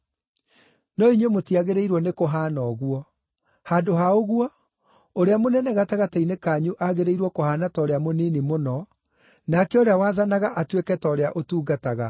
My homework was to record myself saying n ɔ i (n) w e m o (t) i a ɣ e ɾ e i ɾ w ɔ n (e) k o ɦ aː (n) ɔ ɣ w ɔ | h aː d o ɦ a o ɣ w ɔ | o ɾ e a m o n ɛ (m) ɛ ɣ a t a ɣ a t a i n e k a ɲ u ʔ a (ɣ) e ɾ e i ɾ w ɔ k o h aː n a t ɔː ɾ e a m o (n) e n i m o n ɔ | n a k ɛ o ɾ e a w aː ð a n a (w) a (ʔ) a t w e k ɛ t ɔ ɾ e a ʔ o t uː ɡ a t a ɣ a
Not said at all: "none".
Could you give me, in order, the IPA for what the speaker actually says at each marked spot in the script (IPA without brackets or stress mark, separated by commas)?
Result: ɲ, t, e, n, n, ɣ, n, ɣ, ʔ